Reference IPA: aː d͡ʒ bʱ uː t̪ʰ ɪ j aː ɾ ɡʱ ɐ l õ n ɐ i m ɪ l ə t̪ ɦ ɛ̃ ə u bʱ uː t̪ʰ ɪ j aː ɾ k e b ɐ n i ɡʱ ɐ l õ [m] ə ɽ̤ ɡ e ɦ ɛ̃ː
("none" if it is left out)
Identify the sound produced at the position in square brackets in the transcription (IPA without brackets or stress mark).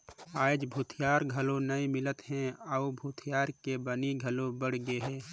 b